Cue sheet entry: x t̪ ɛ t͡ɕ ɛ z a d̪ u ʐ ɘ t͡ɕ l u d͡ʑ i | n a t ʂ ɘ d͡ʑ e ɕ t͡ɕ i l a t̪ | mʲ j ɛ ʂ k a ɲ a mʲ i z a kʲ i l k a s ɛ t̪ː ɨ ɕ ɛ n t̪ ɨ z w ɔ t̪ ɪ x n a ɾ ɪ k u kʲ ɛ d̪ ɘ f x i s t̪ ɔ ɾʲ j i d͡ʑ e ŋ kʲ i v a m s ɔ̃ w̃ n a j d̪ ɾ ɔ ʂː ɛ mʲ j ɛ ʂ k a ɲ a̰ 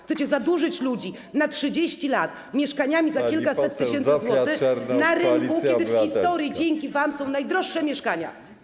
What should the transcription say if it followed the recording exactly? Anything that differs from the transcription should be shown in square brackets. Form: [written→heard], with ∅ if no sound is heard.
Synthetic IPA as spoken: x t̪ ɛ t͡ɕ ɛ z a d̪ u ʐ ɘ t͡ɕ l u d͡ʑ i | n a t ʂ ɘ d͡ʑ e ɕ t͡ɕ i l a t̪ | mʲ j ɛ ʂ k a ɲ a mʲ i z a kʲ i l k a s ɛ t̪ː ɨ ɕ ɛ n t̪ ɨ z w ɔ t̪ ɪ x n a ɾ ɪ k u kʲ ɛ d̪ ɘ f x i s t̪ ɔ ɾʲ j i d͡ʑ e ŋ kʲ i v a m s ɔ̃ w̃ n a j d̪ ɾ ɔ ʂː ɛ mʲ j ɛ ʂ k a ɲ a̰